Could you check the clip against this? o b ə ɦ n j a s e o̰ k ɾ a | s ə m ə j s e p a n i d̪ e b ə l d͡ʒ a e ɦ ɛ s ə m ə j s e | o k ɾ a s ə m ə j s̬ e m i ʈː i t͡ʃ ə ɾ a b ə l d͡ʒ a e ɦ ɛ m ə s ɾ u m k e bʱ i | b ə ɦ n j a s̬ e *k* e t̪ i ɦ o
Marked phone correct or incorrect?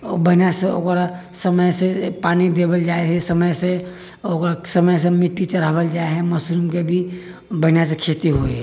incorrect